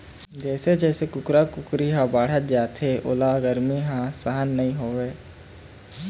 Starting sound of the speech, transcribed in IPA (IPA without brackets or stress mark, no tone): d͡ʒ